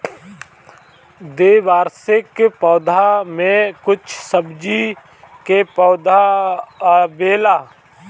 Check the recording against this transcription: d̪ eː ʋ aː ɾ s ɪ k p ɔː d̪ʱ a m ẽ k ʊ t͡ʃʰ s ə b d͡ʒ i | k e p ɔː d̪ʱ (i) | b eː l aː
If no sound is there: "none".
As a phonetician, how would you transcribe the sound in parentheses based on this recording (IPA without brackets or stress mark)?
a